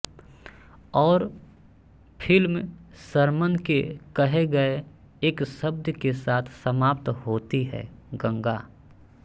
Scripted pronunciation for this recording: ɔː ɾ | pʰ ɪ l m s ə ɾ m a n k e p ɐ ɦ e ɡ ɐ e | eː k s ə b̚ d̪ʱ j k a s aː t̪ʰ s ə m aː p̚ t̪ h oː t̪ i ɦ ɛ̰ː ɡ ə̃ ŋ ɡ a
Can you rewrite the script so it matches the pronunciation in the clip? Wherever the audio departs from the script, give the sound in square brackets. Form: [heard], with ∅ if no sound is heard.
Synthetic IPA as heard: ɔː ɾ | pʰ ɪ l m s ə ɾ m [ə] n k e [k] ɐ ɦ e ɡ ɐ e | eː k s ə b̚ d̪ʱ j k [e] s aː t̪ʰ s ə m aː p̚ t̪ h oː t̪ i ɦ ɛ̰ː ɡ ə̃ ŋ ɡ a

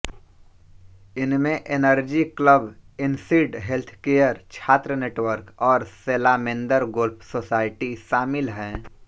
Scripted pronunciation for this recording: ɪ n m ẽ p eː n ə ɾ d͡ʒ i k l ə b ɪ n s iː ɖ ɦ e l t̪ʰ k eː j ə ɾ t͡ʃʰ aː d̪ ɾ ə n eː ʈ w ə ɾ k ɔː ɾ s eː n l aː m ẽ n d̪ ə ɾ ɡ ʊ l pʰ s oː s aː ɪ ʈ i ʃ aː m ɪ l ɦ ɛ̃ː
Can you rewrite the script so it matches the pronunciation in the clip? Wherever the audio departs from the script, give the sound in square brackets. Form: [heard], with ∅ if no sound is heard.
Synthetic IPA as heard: ɪ n m ẽ [ʔ] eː n ə ɾ d͡ʒ i k l ə b ɪ n s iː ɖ ɦ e l t̪ʰ k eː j ə ɾ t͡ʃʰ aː [t̪] ɾ ə n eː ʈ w ə ɾ k ɔː ɾ s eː [∅] l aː m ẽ n d̪ ə ɾ ɡ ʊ l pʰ s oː s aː ɪ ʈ i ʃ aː m ɪ l ɦ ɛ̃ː

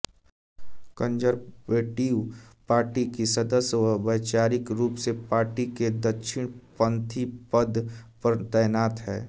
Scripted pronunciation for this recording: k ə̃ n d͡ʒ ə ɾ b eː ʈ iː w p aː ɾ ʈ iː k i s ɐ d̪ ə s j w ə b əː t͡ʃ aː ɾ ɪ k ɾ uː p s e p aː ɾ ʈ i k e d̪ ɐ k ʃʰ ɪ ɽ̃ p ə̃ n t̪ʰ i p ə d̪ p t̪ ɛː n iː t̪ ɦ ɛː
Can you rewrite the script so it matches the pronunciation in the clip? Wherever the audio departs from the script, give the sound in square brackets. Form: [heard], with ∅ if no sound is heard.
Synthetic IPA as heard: k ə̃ n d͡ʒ ə ɾ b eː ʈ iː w p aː ɾ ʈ [i] k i s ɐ d̪ ə s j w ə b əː t͡ʃ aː ɾ ɪ k ɾ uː p s e p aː ɾ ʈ i k e d̪ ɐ k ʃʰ ɪ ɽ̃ p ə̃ n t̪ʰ i p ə d̪ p t̪ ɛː n [aː] t̪ ɦ ɛː

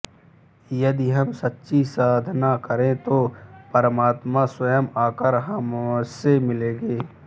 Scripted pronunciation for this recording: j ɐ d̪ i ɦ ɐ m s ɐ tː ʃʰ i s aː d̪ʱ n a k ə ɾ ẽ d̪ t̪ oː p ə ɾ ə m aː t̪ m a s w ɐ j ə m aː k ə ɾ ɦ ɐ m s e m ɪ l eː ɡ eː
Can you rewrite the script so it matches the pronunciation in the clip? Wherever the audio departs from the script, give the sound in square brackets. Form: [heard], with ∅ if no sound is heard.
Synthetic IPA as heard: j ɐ d̪ i ɦ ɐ m s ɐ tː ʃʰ i s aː d̪ʱ n a k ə ɾ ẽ [∅] t̪ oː p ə ɾ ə m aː t̪ m a s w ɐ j ə m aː k ə ɾ ɦ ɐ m s e m ɪ l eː ɡ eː

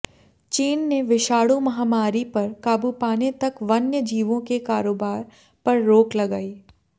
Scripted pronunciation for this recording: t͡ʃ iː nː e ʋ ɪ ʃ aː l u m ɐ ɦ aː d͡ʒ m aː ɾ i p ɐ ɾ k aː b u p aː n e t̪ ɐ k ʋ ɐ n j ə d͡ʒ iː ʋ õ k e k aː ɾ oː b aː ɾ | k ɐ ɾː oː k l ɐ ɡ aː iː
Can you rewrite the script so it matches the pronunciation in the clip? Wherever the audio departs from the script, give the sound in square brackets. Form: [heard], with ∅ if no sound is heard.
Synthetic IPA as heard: t͡ʃ iː nː e ʋ ɪ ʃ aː [ɽ] u m ɐ ɦ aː [∅] m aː ɾ i p ɐ ɾ k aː b u p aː n e t̪ ɐ k ʋ ɐ n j ə d͡ʒ iː ʋ õ k e k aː ɾ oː b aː ɾ | [p] ɐ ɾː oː k l ɐ ɡ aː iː

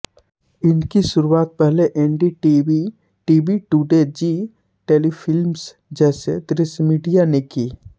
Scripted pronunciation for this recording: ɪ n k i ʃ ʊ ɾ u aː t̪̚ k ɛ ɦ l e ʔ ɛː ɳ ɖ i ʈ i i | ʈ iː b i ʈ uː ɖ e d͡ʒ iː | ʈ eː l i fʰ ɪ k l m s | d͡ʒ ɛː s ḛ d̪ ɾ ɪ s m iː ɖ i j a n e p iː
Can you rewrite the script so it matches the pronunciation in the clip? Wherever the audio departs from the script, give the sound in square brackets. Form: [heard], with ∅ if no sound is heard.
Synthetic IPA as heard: ɪ n k i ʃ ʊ ɾ u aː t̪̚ [p] ɛ ɦ l e ʔ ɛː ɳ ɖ i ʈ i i | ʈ iː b i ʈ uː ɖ e d͡ʒ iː | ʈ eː l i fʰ ɪ [∅] l m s | d͡ʒ ɛː s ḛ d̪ ɾ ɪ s m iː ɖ i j a n e [k] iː

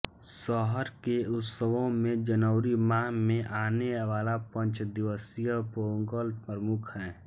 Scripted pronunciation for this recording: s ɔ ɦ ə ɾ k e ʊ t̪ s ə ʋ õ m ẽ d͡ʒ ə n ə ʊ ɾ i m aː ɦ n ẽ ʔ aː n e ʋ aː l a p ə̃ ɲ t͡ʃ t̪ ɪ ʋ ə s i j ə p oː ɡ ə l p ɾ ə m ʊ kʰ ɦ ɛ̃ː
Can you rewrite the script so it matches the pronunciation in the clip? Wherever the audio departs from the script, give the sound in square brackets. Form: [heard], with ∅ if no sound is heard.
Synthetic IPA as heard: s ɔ ɦ ə ɾ k e ʊ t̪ s ə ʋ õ m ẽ d͡ʒ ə n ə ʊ ɾ i m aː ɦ [m] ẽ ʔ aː n e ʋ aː l a p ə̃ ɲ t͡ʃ [d̪] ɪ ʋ ə s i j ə p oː ɡ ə l p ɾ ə m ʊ kʰ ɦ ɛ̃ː

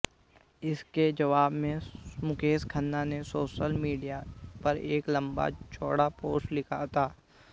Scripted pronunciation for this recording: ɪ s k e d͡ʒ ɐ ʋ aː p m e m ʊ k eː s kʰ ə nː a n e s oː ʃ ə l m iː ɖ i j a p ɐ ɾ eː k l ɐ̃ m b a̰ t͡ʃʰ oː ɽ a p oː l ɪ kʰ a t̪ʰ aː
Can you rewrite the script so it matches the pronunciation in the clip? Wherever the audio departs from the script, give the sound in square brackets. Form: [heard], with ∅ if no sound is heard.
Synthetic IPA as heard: ɪ s k e d͡ʒ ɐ ʋ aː [b] m [ẽ] m ʊ k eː s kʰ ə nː a n e s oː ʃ ə l m iː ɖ i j a p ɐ ɾ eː k l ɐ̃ m b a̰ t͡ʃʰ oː ɽ a p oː l ɪ kʰ a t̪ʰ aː

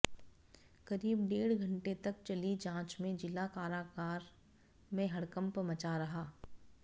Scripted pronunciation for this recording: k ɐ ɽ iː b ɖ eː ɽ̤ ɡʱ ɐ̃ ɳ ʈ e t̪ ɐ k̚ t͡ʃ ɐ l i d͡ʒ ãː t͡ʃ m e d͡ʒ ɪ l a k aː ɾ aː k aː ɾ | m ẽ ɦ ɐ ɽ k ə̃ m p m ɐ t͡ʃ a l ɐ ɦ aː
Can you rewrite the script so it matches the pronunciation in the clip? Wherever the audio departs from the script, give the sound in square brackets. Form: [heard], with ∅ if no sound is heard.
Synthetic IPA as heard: k ɐ [ɾ] iː b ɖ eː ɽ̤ ɡʱ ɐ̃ ɳ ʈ e t̪ ɐ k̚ t͡ʃ ɐ l i d͡ʒ ãː t͡ʃ m [ẽ] d͡ʒ ɪ l a k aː ɾ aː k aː ɾ | m ẽ ɦ ɐ ɽ k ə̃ m p m ɐ t͡ʃ a [ɾ] ɐ ɦ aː

